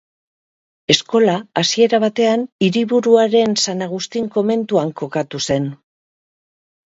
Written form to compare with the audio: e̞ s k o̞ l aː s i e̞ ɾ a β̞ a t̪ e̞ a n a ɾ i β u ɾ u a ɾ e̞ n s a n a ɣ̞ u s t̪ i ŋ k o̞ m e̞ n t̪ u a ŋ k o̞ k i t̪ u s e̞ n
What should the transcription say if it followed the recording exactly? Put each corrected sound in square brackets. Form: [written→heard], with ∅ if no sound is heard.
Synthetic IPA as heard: e̞ s k o̞ l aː s i e̞ ɾ a β̞ a t̪ e̞ a n [a→i] ɾ i β u ɾ u a ɾ e̞ n s a n a ɣ̞ u s t̪ i ŋ k o̞ m e̞ n t̪ u a ŋ k o̞ k [i→a] t̪ u s e̞ n